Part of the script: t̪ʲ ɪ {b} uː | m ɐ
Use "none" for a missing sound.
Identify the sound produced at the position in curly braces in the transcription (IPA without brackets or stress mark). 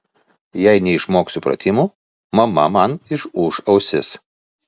m